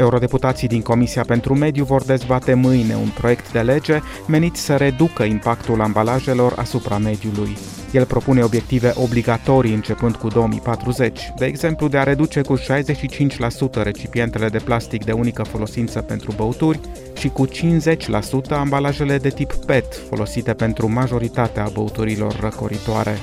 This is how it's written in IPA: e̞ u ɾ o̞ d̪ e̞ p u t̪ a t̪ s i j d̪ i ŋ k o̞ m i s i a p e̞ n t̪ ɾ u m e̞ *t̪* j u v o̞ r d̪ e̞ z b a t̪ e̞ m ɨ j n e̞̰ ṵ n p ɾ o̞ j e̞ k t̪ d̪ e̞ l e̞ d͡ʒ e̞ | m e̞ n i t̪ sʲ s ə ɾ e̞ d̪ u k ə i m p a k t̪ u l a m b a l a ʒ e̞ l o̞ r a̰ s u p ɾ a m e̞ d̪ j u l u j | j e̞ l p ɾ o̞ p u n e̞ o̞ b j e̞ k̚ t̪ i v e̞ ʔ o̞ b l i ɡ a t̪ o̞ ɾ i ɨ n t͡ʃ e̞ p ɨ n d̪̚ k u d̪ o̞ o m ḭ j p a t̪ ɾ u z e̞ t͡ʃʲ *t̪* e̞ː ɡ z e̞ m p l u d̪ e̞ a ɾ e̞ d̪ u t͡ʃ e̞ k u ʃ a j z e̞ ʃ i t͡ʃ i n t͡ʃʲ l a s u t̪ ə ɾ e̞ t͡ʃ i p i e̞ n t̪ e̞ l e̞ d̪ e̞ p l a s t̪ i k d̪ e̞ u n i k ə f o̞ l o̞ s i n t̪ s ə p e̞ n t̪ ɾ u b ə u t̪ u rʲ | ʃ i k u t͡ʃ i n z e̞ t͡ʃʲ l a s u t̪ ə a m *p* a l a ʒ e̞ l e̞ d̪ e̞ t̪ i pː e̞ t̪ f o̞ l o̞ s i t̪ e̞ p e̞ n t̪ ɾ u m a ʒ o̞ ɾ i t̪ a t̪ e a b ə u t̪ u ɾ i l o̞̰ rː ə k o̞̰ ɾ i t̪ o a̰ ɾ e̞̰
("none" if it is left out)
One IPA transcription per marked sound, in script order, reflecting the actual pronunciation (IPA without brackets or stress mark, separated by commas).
d̪, d̪, b